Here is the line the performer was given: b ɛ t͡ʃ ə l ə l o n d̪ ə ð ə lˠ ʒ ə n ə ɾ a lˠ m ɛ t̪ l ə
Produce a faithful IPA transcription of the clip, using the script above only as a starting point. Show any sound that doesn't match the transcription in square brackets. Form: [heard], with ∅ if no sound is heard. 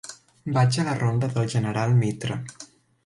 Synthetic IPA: b [a] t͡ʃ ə l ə [r] o n d̪ ə ð ə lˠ ʒ ə n ə ɾ a lˠ m [i] t̪ [ɾ] ə

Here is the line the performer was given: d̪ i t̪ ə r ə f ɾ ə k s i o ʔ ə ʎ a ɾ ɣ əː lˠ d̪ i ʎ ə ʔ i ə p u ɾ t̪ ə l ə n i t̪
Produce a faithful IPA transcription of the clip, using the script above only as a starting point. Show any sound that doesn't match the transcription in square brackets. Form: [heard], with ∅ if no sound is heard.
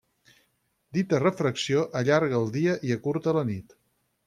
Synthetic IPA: d̪ i t̪ ə r ə f ɾ ə k s i o ʔ ə ʎ a ɾ ɣ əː lˠ d̪ i [∅] ə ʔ i ə [k] u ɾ t̪ ə l ə n i t̪

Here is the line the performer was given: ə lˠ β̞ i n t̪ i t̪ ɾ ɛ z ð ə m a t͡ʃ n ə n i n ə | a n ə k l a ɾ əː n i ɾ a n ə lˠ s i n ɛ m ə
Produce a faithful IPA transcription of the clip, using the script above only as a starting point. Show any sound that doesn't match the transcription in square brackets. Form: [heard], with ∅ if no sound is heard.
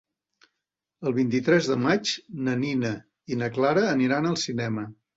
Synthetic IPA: ə lˠ β̞ i n t̪ i t̪ ɾ ɛ z ð ə m a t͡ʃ n ə n i n ə | [i] n ə k l a ɾ əː n i ɾ a n ə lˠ s i n ɛ m ə

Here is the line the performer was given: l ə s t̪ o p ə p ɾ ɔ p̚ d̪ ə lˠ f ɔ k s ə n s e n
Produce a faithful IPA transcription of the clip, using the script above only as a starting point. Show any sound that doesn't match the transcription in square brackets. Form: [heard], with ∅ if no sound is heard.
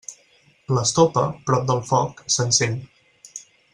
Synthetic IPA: l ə s t̪ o p ə p ɾ ɔ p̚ d̪ ə lˠ f ɔ k s ə n s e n

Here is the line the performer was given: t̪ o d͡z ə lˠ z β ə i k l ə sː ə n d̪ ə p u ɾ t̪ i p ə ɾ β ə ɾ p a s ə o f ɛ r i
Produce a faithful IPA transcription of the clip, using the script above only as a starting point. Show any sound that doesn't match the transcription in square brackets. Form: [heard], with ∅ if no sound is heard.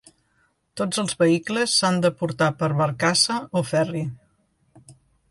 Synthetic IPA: t̪ o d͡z ə lˠ z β ə i k l ə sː [a] n d̪ ə p u ɾ t̪ [a] p ə ɾ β ə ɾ [k] a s ə o f ɛ r i

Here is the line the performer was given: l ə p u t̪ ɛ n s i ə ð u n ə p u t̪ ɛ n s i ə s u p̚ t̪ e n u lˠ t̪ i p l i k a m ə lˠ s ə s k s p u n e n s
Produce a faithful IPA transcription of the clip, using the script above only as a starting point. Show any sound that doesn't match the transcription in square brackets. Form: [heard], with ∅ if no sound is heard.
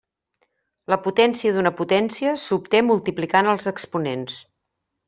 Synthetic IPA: l ə p u t̪ ɛ n s i ə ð u n ə p u t̪ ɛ n s i ə s u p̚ t̪ e [m] u lˠ t̪ i p l i k a [n] ə lˠ [z] ə [∅] k s p u n e n s

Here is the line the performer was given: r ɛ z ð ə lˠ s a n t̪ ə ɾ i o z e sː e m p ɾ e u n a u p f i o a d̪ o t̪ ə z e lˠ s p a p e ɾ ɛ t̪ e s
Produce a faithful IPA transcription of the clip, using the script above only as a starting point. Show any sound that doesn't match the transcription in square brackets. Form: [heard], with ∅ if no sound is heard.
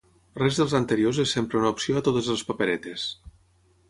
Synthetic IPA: r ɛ z ð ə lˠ [z] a n t̪ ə ɾ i o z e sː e m p ɾ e u n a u p [s] i o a [t̪] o t̪ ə z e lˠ s p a p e ɾ ɛ t̪ e s

